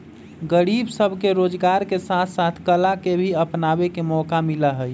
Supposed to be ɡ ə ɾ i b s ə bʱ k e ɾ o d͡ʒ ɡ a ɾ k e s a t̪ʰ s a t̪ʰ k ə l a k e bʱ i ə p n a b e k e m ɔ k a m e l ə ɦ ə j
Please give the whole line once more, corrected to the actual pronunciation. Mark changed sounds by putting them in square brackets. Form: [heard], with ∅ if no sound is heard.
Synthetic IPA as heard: ɡ ə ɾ i b s ə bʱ k e ɾ o d͡ʒ ɡ a ɾ k e s a t̪ʰ s a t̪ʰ k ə l a k e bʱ i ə p n a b e k e m ɔ k a m [i] l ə ɦ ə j

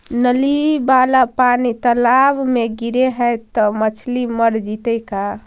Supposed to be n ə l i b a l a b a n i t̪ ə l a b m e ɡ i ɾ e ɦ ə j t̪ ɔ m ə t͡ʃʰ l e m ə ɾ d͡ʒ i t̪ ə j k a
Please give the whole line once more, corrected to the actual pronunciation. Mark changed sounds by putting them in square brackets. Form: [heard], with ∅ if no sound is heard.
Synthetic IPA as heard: n ə l i b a l a [p] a n i t̪ ə l a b m e ɡ i ɾ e ɦ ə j t̪ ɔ m ə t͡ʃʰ l [i] m ə ɾ d͡ʒ i t̪ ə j k a

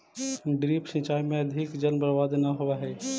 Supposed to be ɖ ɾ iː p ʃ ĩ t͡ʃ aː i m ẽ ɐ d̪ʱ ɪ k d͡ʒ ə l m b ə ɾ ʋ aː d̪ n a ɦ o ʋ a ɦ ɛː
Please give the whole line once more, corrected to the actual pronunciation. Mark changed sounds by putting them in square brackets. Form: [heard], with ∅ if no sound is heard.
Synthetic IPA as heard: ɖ ɾ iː p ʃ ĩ t͡ʃ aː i m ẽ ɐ d̪ʱ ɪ k d͡ʒ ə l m b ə ɾ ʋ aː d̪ n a ɦ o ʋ a ɦ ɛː

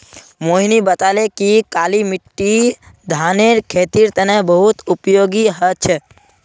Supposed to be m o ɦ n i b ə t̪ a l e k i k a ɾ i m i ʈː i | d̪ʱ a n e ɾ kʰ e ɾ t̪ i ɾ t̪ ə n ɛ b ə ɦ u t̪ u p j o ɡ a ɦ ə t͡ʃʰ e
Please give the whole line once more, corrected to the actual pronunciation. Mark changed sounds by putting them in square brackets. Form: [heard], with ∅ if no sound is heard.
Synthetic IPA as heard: m o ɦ n i b ə t̪ a l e k i k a [l] i m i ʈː i | d̪ʱ a n e ɾ kʰ e [∅] t̪ i ɾ t̪ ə n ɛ b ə ɦ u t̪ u p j o ɡ [i] ɦ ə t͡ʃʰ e

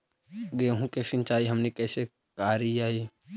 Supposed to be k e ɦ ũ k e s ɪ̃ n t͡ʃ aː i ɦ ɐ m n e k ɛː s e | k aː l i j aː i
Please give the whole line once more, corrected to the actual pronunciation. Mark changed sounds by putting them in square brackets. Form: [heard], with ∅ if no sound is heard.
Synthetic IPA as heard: [ɡ] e ɦ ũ k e s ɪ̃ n t͡ʃ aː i ɦ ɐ m n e k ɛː s e | k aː [ɾ] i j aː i

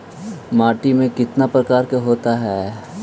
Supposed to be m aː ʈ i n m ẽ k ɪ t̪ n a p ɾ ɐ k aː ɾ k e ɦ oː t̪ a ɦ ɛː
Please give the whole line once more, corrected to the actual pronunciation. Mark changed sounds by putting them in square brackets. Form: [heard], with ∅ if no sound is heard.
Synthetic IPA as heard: m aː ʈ i [∅] m ẽ k ɪ t̪ n a p ɾ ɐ k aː ɾ k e ɦ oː t̪ a ɦ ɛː

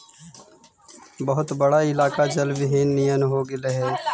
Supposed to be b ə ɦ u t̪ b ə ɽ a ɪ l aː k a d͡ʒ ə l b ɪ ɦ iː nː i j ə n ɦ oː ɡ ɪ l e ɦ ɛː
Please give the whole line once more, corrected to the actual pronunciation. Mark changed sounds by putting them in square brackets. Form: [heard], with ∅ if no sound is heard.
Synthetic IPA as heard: b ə ɦ [ʊ] t̪ b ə ɽ a ɪ l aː k a d͡ʒ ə l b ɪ ɦ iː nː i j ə n ɦ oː ɡ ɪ l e ɦ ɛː

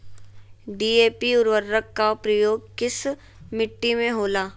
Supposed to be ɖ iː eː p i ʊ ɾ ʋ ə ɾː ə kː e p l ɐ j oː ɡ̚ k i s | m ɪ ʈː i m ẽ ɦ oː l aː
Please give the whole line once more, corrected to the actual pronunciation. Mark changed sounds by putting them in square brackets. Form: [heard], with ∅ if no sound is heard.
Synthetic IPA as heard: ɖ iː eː p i ʊ ɾ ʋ ə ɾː ə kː [a] p [ɾ] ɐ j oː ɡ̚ k [ɪ] s | m ɪ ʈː i m ẽ ɦ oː l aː

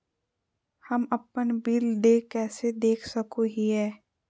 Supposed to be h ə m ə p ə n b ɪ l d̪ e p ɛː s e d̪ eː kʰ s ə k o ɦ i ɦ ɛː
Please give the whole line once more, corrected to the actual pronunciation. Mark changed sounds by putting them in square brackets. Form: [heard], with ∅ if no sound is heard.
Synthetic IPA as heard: h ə m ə p ə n b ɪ l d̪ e [k] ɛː s e d̪ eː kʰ s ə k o ɦ i ɦ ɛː

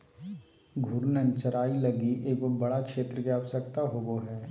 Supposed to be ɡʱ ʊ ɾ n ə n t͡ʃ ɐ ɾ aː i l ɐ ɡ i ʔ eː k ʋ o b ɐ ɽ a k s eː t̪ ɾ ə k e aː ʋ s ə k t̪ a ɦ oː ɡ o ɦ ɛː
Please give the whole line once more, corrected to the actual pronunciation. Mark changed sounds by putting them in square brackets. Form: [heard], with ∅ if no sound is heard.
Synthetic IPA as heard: ɡʱ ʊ ɾ n ə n t͡ʃ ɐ ɾ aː i l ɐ ɡ i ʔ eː k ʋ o b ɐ ɽ a k [ʃ] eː t̪ ɾ ə k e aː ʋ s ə k t̪ a ɦ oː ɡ o ɦ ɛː

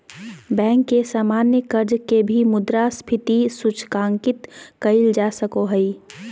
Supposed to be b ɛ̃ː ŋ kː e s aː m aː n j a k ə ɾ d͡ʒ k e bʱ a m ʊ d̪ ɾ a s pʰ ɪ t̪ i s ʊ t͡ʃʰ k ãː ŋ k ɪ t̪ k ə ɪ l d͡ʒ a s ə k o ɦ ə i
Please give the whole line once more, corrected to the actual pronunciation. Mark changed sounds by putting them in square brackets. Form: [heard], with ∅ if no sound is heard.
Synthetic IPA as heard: b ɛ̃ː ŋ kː e s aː m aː n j [ə] k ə ɾ d͡ʒ k e bʱ [i] m ʊ d̪ ɾ a s pʰ ɪ t̪ i s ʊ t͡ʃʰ k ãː ŋ k ɪ t̪ k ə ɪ l d͡ʒ a s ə k o ɦ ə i

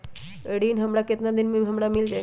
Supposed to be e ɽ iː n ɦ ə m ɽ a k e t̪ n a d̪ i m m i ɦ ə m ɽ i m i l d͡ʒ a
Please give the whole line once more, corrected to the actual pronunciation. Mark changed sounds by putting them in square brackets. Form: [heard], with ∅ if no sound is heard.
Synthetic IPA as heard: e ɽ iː n ɦ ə m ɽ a k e t̪ n a d̪ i [n] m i ɦ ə m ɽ [a] m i l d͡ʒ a

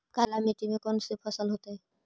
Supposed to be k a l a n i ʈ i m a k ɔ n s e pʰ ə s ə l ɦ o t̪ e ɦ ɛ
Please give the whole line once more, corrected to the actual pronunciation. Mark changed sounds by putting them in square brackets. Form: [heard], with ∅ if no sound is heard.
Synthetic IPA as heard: k a l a [m] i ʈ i m [e] k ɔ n s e pʰ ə s ə l ɦ o t̪ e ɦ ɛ

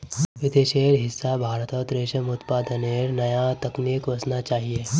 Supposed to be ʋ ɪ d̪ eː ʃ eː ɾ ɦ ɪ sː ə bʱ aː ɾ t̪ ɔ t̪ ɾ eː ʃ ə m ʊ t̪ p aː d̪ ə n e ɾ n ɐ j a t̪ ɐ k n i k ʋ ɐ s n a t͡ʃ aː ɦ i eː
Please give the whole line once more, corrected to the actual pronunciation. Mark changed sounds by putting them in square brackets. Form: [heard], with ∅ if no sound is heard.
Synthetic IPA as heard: ʋ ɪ d̪ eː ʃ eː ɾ ɦ ɪ sː [a] bʱ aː ɾ t̪ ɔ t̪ ɾ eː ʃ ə m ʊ t̪ p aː d̪ ə n e ɾ n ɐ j a t̪ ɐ k n i k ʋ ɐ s n a t͡ʃ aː ɦ i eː

